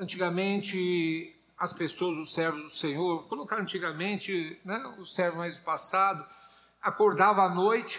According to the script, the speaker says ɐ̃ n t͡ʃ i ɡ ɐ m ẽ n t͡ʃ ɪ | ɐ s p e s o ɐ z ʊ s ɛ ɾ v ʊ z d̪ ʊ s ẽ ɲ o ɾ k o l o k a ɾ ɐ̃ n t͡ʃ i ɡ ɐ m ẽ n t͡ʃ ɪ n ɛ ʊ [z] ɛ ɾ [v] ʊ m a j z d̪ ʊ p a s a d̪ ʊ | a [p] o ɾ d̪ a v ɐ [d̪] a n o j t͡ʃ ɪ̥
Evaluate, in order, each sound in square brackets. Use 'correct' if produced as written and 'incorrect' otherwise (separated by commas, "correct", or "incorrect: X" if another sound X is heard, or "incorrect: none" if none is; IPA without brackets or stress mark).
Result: incorrect: s, correct, incorrect: k, incorrect: none